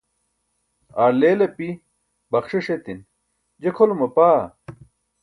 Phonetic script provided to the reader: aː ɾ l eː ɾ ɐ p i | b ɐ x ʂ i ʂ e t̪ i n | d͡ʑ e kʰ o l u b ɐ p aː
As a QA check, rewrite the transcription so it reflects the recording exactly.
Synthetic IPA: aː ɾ l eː l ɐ p i | b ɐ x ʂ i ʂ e t̪ i n | d͡ʑ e kʰ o l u m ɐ p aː